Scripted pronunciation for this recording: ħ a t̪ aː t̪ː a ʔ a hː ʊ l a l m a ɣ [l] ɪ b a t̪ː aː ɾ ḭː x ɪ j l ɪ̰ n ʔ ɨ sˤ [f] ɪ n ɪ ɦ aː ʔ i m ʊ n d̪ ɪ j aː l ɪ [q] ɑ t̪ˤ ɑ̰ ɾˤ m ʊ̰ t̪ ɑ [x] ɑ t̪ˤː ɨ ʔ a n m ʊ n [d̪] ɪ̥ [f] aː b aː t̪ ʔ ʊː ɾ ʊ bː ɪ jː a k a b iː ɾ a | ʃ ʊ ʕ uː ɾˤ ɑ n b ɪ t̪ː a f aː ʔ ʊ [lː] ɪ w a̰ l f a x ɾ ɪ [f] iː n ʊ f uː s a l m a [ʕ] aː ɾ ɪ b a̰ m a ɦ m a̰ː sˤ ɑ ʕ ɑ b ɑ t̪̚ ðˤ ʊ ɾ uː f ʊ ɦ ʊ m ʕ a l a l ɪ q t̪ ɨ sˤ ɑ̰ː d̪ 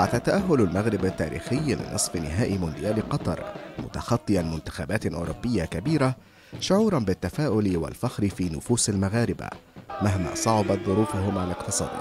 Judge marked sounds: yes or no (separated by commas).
no, yes, yes, yes, no, no, no, yes, no